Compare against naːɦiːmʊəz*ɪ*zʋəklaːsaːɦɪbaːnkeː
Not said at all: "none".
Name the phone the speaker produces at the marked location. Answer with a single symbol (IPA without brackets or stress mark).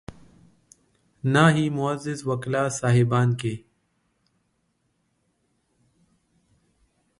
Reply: ɪ